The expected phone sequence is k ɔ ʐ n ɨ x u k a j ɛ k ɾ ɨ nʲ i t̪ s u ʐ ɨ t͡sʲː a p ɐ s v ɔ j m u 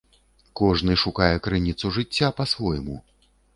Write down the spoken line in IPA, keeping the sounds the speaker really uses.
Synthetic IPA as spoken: k ɔ ʐ n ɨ ʂ u k a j ɛ k ɾ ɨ nʲ i t̪ s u ʐ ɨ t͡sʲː a p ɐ s v ɔ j m u